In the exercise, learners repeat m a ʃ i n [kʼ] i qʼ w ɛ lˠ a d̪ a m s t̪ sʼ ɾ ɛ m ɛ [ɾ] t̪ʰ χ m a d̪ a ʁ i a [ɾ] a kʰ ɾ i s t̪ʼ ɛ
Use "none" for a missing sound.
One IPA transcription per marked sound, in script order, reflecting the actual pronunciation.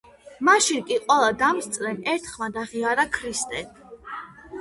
kʼ, ɾ, ɾ

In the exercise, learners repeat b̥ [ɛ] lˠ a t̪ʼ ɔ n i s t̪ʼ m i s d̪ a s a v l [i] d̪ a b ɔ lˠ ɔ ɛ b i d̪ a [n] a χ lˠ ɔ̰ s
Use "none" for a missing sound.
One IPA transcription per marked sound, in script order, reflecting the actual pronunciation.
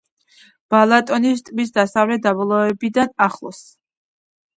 a, ɛ, n

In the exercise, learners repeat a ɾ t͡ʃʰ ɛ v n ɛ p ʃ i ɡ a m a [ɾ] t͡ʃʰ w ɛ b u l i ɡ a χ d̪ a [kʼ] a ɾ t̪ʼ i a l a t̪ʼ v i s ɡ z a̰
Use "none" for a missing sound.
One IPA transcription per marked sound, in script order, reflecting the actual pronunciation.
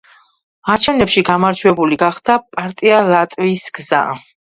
ɾ, pʼ

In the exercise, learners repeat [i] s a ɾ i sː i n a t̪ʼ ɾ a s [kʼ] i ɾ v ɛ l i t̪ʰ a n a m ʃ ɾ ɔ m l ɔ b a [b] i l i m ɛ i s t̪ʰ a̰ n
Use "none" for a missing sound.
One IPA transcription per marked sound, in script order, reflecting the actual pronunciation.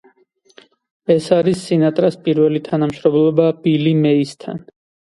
ɛ, pʼ, b

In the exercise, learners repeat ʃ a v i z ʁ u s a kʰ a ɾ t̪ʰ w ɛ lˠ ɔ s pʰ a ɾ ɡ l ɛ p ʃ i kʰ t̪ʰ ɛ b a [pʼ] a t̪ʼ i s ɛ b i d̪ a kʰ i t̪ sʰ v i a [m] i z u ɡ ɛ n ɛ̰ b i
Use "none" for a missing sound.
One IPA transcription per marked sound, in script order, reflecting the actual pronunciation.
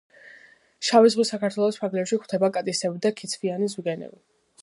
kʼ, n

